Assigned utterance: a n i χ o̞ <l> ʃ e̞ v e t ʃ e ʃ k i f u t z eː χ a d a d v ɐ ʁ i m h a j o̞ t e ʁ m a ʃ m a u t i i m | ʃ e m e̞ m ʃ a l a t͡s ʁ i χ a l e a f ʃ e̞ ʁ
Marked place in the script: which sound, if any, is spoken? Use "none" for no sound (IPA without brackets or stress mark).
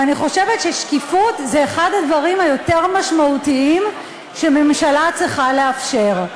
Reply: none